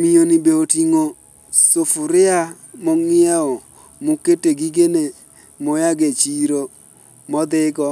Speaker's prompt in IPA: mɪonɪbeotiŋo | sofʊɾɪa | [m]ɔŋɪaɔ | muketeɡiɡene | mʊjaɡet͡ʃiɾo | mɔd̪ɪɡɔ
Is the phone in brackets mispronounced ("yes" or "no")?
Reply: no